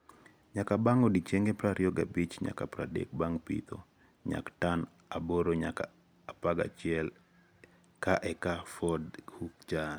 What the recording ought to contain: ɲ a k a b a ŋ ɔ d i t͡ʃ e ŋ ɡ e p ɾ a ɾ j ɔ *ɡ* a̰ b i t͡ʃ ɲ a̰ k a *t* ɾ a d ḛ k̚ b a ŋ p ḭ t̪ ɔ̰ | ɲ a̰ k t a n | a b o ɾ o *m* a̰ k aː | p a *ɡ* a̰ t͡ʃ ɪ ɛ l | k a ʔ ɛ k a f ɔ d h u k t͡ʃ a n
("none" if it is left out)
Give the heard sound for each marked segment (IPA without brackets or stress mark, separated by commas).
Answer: ɡ, p, ɲ, ɡ